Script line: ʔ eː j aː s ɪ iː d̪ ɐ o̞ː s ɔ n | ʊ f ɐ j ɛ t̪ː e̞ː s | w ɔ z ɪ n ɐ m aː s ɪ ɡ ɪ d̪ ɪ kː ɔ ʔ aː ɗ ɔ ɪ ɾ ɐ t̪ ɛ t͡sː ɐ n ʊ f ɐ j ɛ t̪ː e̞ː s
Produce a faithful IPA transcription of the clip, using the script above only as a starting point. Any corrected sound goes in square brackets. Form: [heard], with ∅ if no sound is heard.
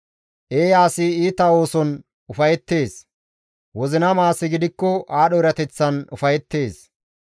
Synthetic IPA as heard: ʔ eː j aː s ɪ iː [t̪] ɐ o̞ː s ɔ n | ʊ f ɐ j ɛ t̪ː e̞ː s | w ɔ z ɪ n ɐ m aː s ɪ ɡ ɪ d̪ ɪ kː ɔ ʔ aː ɗ ɔ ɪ ɾ ɐ t̪ ɛ t͡sː ɐ n ʊ f ɐ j ɛ t̪ː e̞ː s